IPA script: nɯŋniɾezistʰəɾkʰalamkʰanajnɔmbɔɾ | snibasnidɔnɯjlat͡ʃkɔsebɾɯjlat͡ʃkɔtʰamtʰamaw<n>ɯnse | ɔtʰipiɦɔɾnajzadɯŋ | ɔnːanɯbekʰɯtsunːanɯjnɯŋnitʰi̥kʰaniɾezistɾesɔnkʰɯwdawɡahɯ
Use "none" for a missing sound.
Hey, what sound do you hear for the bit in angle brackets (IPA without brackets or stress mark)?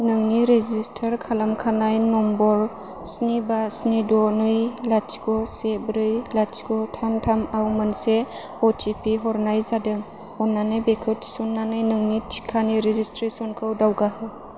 m